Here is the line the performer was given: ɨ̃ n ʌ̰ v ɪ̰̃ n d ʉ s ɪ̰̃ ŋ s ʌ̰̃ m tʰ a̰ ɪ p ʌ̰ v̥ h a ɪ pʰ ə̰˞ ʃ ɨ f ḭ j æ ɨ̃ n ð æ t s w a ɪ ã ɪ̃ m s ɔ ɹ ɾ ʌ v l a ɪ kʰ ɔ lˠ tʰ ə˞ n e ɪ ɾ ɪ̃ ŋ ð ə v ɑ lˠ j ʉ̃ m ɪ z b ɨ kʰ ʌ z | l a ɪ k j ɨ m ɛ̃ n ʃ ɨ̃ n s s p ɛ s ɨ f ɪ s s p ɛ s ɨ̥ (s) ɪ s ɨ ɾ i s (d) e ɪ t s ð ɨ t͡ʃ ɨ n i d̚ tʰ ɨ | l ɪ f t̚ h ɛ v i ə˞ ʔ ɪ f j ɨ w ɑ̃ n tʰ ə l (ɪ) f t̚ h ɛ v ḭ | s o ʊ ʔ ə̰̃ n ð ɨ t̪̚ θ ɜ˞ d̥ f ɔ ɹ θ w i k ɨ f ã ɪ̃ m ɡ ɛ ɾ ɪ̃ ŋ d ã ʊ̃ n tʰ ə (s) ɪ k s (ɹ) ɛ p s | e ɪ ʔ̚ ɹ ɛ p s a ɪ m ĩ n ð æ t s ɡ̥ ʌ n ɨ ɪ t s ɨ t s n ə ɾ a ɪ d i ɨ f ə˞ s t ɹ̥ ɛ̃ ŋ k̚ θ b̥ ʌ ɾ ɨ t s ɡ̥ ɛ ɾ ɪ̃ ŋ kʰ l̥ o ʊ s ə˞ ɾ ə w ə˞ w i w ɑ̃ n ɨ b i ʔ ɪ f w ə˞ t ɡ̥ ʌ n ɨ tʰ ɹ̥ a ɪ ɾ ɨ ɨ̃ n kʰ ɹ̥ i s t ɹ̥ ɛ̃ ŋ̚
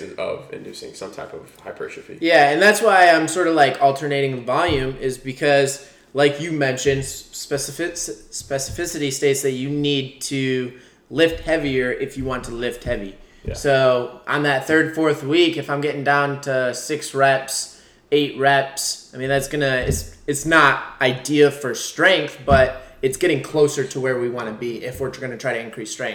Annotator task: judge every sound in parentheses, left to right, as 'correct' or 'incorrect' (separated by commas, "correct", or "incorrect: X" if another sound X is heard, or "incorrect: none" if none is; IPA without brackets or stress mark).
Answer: incorrect: f, incorrect: t, correct, correct, correct